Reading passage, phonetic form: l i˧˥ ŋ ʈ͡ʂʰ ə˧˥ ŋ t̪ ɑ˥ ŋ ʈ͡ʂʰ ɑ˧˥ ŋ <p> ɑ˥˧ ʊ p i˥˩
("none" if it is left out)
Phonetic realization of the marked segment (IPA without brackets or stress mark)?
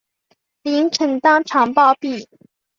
p